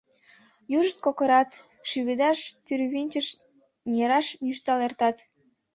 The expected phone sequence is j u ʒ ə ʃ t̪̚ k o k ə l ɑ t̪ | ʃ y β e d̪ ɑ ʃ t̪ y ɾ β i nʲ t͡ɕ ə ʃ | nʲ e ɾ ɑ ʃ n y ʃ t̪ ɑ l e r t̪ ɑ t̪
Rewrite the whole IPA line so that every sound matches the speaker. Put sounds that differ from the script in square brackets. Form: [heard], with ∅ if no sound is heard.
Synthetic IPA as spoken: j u ʒ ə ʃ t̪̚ k o k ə [ɾ] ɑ t̪ | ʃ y β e d̪ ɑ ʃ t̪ y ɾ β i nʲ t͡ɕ ə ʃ | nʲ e ɾ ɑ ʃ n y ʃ t̪ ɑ l e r t̪ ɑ t̪